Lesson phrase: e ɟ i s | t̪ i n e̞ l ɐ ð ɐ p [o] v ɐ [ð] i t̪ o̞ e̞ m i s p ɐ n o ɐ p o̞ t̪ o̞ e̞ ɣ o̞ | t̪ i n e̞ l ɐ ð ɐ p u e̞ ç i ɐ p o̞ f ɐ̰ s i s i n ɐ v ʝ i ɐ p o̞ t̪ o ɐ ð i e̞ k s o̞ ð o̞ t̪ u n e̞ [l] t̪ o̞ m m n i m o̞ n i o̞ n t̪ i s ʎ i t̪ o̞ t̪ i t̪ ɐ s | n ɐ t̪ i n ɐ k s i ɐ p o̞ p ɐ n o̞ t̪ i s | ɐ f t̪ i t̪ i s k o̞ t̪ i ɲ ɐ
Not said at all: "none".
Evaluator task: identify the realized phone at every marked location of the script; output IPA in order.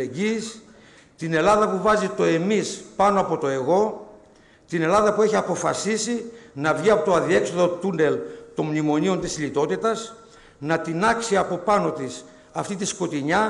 u, z, l

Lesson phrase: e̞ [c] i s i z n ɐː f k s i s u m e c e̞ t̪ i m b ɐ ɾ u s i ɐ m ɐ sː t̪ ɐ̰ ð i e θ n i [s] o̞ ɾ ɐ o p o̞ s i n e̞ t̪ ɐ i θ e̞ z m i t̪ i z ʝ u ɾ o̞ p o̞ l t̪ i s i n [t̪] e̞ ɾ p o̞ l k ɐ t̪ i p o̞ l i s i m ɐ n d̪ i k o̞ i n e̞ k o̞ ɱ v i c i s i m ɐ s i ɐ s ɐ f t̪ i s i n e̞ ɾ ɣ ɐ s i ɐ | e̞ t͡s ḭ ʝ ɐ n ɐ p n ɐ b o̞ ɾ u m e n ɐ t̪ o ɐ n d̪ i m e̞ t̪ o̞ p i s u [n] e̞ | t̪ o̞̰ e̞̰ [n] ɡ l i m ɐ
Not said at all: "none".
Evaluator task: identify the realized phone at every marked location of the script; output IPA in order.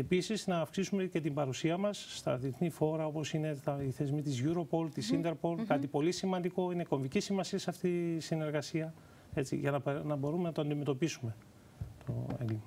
p, f, d̪, m, ŋ

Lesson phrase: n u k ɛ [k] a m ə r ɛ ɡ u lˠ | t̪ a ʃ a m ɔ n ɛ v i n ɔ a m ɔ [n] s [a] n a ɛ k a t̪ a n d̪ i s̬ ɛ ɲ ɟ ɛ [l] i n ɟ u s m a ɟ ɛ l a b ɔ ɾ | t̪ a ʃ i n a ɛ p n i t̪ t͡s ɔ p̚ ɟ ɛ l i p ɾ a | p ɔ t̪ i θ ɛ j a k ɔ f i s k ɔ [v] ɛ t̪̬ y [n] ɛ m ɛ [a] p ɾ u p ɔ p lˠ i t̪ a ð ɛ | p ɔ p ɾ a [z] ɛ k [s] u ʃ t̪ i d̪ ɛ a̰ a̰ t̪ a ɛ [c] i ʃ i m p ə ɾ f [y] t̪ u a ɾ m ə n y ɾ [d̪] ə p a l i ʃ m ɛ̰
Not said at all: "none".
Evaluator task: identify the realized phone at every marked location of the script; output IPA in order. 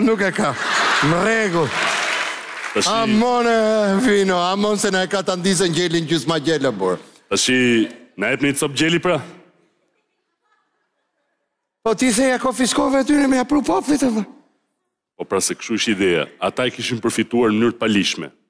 k, n, ɛ, l, v, n, a, s, ʃ, k, i, t̪

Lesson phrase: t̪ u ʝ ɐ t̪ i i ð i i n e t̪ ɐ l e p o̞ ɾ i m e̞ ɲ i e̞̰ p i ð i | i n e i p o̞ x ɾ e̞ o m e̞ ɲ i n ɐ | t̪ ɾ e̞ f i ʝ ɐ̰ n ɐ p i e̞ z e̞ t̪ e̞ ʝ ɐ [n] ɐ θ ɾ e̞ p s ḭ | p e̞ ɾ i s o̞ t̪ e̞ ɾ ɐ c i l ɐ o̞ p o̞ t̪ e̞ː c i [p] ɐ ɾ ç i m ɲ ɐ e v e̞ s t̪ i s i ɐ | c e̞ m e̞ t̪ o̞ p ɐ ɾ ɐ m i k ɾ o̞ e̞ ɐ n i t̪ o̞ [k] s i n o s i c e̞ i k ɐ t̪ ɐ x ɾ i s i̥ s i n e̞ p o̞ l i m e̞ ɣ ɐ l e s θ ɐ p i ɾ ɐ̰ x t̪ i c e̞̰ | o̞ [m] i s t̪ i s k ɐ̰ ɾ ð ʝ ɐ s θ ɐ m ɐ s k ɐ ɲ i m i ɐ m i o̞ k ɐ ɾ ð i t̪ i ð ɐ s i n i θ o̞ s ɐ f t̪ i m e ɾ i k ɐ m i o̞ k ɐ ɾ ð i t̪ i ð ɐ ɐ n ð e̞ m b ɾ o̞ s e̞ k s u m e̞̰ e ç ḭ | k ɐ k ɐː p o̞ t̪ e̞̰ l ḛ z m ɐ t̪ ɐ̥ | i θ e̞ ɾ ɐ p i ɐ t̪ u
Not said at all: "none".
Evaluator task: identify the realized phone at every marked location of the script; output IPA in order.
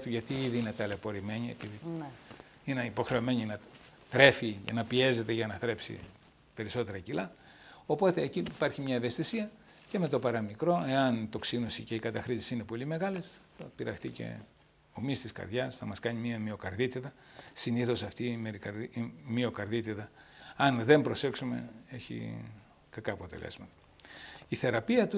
n, p, k, m

